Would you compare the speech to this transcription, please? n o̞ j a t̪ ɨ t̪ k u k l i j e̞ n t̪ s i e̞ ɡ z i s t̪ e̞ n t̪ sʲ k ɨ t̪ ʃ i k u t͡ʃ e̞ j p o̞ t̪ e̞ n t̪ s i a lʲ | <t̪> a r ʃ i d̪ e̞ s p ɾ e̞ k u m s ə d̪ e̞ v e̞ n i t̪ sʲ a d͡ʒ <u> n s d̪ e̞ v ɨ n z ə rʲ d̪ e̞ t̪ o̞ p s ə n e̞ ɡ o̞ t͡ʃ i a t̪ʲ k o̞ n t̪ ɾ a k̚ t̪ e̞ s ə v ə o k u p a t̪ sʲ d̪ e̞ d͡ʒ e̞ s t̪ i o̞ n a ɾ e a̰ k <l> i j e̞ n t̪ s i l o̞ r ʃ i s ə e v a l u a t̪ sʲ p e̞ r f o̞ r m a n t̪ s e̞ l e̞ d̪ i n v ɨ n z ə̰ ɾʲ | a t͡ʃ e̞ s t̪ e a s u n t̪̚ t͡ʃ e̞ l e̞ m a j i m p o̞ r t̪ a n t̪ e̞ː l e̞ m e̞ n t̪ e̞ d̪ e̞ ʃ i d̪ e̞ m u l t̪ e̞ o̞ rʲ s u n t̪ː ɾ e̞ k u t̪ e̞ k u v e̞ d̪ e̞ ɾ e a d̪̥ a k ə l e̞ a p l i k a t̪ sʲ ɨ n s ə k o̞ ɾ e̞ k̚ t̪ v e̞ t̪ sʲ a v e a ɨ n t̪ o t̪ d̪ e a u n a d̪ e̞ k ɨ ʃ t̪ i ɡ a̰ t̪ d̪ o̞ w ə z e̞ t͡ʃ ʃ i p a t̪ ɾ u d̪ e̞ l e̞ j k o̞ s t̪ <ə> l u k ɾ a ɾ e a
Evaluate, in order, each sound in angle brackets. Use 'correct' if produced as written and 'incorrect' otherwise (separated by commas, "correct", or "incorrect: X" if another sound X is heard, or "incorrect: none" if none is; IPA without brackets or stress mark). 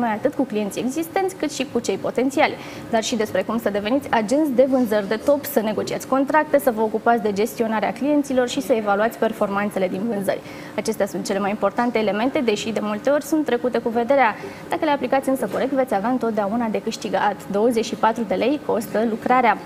incorrect: d̪, correct, correct, correct